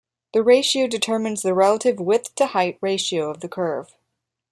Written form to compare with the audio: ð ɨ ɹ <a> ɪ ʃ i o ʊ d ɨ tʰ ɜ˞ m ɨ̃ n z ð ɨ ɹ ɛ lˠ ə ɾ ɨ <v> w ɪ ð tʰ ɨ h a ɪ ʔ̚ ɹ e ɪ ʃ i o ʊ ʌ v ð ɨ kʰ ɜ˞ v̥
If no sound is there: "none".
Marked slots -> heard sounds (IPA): e, v

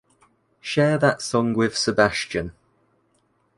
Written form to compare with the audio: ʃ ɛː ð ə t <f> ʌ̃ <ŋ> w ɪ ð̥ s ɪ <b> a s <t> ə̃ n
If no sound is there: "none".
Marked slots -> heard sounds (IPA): s, ŋ, b, t͡ʃ

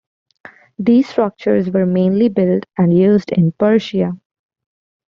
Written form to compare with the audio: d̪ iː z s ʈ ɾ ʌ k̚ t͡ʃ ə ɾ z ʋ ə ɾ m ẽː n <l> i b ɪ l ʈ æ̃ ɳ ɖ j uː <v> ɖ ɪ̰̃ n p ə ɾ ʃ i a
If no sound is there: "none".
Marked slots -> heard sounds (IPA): l, z

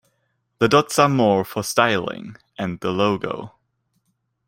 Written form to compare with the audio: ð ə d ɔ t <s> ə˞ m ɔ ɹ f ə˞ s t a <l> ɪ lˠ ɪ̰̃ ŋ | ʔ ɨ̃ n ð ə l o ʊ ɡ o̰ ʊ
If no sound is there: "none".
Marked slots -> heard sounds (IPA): s, none

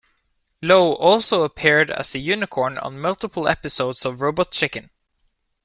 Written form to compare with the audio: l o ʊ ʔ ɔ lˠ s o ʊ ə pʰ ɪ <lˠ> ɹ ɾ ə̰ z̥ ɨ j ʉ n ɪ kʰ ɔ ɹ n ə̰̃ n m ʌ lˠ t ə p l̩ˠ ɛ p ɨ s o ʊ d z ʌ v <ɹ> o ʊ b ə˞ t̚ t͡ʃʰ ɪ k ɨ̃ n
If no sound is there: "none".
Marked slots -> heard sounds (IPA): none, ɹ

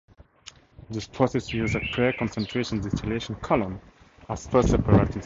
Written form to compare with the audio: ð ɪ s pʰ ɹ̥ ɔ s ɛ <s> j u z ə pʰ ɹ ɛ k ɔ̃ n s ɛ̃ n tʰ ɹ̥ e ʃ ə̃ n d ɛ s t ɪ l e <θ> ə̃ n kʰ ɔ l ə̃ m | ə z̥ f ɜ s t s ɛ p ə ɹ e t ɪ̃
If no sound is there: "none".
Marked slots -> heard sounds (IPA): s, ʃ

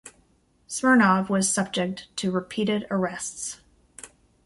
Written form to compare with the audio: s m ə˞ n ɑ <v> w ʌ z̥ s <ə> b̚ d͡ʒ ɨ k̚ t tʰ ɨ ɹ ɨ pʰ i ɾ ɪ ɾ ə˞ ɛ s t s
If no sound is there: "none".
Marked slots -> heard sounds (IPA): v, ʌ

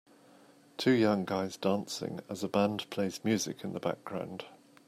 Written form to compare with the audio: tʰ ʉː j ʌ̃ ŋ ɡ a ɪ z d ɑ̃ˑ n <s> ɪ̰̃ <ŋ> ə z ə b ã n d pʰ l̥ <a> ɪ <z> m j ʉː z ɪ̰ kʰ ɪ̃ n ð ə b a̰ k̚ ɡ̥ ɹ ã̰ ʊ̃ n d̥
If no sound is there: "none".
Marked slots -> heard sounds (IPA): s, ŋ, e, z

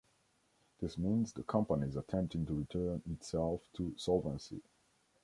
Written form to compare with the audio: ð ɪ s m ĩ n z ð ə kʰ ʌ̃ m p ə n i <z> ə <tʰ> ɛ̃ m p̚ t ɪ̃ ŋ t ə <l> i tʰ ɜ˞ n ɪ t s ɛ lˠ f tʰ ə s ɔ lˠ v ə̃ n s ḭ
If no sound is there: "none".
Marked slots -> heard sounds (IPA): z, tʰ, ɹ

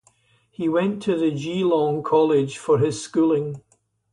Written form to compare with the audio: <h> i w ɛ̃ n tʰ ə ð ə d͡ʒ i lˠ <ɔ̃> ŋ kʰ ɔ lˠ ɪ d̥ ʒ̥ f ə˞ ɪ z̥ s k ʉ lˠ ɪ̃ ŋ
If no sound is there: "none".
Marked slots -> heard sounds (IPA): h, ɔ̃

